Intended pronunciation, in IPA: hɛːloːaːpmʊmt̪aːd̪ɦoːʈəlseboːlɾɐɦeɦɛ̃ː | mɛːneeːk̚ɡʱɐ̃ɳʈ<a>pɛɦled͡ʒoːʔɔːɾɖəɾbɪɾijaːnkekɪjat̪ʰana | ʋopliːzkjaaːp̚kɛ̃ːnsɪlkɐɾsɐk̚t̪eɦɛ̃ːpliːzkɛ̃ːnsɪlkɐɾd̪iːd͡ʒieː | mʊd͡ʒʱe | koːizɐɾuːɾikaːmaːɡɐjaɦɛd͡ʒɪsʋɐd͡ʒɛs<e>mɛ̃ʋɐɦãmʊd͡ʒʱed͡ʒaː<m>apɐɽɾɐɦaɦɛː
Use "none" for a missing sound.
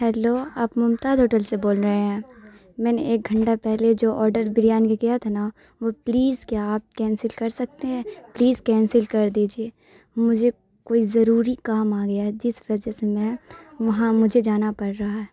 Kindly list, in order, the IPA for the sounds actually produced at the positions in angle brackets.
a, e, n

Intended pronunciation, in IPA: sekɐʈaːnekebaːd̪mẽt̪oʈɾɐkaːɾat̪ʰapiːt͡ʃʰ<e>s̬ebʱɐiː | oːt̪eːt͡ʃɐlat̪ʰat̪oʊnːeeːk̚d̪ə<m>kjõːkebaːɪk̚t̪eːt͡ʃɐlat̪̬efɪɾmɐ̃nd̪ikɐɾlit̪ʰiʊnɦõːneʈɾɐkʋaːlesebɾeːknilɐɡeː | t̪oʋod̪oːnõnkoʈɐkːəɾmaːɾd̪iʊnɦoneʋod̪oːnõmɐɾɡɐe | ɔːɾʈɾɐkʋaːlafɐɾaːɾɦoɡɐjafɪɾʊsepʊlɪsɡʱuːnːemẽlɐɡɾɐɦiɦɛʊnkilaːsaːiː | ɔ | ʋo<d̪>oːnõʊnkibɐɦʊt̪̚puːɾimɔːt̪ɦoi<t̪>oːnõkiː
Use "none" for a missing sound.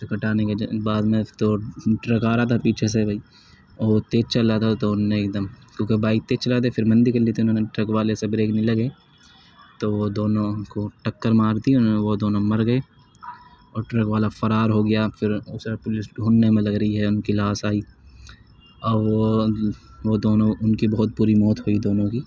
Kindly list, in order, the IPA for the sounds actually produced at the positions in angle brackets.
e, m, d̪, d̪

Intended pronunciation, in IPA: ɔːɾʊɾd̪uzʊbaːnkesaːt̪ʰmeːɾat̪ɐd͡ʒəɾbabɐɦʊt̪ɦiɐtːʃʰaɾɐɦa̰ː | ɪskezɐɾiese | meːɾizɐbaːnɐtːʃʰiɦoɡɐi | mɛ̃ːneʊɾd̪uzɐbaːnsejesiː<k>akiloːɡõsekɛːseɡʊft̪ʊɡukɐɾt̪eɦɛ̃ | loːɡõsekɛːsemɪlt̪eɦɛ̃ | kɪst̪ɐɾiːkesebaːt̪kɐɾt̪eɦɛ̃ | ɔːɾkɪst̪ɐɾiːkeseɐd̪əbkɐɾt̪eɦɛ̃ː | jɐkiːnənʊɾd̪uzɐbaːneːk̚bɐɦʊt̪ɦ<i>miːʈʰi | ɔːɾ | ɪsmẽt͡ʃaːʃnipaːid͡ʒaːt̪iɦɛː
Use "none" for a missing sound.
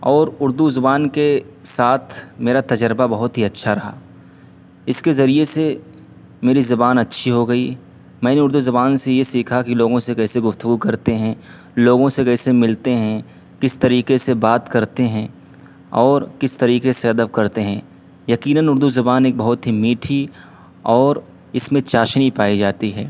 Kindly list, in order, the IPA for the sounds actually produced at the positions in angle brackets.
kʰ, i

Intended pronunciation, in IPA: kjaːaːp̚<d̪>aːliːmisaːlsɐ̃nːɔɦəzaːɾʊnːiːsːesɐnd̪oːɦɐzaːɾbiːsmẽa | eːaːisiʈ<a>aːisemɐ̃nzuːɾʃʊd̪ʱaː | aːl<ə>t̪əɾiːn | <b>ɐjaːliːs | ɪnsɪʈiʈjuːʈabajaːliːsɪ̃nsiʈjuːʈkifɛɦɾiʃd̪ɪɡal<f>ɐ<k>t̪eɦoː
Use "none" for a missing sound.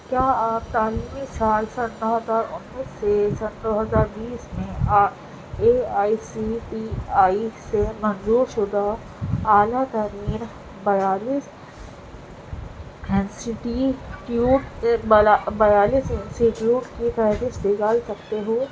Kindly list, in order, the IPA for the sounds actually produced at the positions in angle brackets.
t̪, i, a, b, s, k

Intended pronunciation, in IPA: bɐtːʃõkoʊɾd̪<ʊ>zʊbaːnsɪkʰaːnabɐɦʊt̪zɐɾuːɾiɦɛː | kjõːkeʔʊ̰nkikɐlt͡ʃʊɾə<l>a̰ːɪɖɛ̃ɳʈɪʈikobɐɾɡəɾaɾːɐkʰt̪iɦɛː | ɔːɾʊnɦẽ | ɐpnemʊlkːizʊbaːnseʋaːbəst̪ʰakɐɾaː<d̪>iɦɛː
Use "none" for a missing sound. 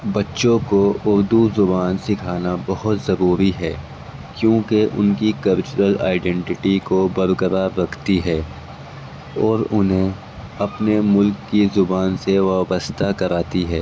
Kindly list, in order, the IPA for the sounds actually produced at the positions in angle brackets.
u, l, t̪

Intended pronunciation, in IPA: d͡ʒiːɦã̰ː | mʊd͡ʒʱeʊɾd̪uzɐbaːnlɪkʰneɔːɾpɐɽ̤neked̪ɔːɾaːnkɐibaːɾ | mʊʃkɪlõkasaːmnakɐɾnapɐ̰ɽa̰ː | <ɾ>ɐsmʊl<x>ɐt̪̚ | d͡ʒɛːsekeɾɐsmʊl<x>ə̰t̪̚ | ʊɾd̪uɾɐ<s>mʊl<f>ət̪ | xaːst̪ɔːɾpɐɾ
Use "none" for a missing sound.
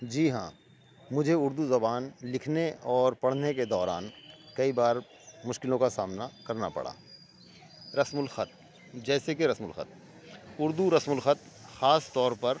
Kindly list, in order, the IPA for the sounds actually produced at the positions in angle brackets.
ɾ, x, x, s, x

